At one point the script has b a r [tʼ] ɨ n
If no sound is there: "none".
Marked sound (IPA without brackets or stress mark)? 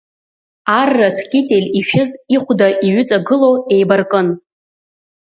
kʼ